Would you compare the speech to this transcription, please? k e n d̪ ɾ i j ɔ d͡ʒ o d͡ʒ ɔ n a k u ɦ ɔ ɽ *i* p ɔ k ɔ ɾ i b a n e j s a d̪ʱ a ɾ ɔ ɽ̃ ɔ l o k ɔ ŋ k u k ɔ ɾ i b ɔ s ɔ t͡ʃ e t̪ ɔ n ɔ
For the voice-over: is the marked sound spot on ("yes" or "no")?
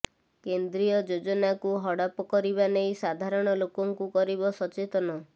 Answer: no